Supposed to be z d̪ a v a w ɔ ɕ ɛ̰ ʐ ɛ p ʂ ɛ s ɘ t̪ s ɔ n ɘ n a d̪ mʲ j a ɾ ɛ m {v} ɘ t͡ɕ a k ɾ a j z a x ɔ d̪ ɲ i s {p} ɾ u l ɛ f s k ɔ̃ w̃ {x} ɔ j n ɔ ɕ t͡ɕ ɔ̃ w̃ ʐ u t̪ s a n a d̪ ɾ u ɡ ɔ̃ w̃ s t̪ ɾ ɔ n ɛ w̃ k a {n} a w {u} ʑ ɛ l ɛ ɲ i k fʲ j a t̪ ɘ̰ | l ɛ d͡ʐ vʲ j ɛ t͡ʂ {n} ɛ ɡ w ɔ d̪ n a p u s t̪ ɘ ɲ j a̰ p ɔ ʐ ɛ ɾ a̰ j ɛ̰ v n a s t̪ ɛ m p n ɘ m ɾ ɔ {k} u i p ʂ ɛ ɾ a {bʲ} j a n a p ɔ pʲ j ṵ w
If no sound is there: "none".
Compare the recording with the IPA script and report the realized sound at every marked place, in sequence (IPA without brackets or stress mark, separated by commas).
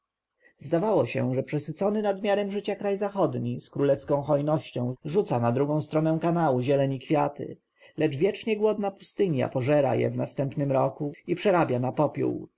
ʐ, k, x, n, u, ɲ, k, bʲ